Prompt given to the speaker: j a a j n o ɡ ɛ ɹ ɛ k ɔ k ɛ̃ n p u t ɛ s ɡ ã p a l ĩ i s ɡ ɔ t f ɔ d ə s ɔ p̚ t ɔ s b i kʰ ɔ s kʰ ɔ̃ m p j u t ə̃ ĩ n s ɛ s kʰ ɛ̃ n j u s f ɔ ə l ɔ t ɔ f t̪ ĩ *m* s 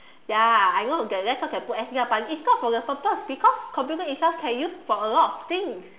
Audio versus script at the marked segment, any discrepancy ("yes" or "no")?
yes